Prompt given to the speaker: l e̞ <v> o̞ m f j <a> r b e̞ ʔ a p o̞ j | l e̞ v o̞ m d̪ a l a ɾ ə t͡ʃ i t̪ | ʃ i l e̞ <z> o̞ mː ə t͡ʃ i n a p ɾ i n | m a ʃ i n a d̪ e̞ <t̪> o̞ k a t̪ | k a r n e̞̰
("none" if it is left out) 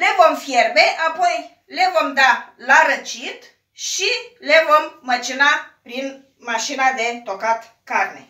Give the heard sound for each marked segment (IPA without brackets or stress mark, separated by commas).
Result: v, e, v, t̪